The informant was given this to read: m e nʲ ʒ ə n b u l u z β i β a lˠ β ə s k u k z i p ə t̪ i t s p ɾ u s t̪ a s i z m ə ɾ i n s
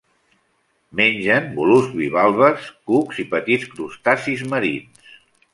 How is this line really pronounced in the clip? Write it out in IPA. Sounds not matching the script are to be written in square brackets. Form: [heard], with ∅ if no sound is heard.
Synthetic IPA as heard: m e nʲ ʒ ə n b u l u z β i β a lˠ β ə s k u k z i p ə t̪ i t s [k] ɾ u s t̪ a s i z m ə ɾ i n s